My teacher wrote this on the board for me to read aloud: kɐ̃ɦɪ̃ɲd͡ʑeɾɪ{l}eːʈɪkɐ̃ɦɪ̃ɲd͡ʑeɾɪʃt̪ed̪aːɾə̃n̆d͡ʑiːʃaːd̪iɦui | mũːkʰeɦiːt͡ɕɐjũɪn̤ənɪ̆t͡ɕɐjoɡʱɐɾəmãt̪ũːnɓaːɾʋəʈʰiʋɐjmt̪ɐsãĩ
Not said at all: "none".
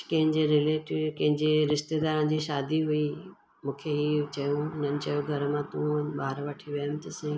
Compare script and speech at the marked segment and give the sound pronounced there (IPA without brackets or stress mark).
l